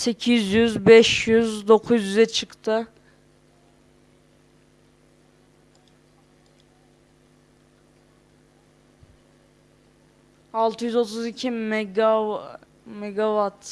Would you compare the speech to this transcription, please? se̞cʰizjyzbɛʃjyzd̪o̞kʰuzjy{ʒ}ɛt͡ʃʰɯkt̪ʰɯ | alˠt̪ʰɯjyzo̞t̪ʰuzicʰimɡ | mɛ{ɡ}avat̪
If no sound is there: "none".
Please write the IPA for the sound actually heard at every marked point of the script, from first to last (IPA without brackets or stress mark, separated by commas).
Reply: z, ɡ